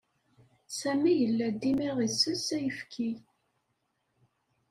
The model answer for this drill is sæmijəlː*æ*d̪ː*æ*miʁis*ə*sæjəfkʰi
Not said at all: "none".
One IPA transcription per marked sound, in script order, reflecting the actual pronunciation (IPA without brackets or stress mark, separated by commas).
æ, i, ə